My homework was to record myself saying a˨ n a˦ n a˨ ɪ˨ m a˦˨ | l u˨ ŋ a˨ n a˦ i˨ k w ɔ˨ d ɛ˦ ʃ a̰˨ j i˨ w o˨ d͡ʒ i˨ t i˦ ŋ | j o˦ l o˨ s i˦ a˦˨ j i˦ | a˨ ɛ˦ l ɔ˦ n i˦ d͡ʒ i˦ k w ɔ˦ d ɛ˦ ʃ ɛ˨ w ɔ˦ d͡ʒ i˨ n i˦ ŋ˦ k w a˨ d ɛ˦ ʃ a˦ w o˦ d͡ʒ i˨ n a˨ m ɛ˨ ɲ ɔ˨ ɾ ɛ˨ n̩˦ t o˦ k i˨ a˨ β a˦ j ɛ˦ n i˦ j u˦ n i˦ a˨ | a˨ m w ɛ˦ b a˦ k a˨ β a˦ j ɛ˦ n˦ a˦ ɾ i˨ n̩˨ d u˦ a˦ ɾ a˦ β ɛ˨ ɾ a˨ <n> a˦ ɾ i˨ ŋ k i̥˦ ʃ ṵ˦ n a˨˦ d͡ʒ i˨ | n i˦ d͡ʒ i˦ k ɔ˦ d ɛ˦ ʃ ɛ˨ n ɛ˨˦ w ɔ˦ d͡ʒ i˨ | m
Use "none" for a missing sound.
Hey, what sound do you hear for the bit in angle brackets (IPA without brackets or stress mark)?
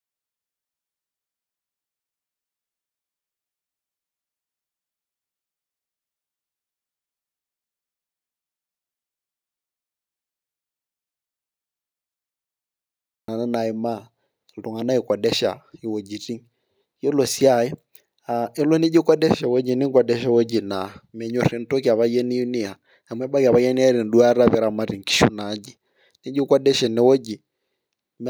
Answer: m